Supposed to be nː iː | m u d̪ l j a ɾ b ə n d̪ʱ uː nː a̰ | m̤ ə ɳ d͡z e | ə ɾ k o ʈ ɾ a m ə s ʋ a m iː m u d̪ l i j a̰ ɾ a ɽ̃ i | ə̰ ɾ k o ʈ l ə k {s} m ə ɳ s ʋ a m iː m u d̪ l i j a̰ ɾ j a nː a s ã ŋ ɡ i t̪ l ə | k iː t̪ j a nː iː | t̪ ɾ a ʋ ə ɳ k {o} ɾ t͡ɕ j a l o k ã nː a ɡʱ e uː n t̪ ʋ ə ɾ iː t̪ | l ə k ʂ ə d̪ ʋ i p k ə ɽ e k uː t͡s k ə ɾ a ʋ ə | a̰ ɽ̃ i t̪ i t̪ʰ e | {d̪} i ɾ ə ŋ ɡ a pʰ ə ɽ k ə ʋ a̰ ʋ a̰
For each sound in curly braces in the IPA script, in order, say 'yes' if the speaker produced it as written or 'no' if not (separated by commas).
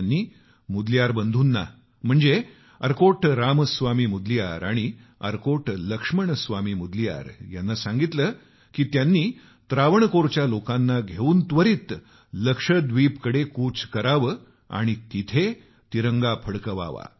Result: no, yes, no